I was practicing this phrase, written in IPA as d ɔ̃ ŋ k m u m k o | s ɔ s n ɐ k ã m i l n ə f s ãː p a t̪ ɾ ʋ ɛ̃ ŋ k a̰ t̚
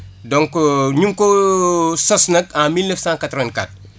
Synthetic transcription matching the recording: d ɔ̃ ŋ k ɲ u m k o | s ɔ s n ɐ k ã m i l n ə f s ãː k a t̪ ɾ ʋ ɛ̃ n k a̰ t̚